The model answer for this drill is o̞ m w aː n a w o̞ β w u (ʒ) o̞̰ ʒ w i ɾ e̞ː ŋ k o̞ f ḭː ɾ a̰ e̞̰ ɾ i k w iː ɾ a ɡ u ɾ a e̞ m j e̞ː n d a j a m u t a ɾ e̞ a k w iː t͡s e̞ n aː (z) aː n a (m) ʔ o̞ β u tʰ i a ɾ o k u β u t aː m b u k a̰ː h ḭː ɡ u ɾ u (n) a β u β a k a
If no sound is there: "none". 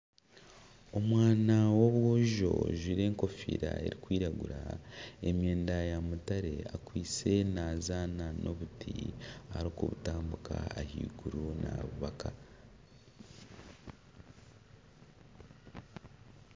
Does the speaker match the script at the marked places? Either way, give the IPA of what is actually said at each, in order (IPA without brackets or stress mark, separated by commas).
ʒ, z, n, n